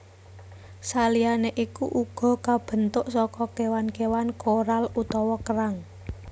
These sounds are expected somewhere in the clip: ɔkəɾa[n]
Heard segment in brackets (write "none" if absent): ŋ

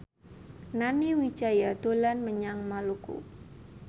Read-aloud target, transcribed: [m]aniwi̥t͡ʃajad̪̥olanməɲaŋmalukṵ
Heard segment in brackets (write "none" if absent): n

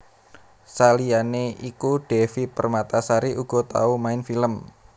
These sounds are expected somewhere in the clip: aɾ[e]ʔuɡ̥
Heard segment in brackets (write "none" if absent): i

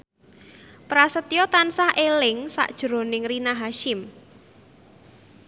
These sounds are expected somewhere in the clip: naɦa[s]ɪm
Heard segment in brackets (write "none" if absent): ʃ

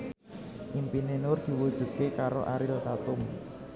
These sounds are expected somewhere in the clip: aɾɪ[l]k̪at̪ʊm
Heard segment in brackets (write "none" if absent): l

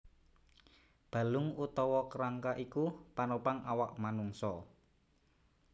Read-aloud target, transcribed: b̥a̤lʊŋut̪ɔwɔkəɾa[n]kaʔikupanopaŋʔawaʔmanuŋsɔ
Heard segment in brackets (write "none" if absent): ŋ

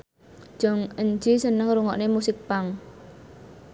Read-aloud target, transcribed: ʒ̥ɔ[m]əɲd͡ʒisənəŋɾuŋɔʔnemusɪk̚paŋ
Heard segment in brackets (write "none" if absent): ŋ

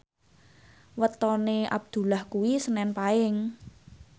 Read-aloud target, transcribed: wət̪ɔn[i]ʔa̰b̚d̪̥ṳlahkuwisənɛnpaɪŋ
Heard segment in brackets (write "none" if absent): e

